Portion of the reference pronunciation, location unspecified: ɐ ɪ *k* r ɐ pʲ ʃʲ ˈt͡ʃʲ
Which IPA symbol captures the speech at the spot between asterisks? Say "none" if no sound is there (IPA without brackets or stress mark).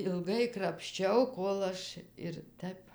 k